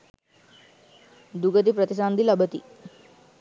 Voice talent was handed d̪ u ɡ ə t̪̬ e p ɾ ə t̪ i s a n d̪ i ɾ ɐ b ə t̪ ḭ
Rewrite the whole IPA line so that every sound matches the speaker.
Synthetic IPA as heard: d̪ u ɡ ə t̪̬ i p ɾ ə t̪ i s a n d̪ i l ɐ b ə t̪ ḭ